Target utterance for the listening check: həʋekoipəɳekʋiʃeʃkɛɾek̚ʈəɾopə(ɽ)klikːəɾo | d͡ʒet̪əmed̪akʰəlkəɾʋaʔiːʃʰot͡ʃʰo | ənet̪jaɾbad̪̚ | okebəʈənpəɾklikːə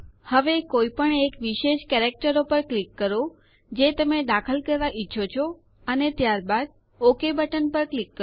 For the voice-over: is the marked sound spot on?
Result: no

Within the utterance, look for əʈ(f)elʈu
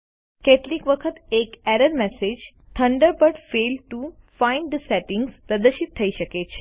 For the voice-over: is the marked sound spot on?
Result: yes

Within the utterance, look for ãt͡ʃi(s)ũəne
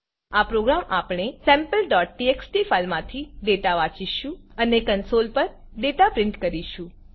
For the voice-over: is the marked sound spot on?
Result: no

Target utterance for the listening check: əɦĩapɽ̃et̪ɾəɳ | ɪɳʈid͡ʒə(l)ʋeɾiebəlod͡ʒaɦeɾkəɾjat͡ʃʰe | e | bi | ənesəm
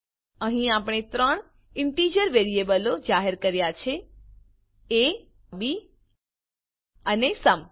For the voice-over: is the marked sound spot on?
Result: no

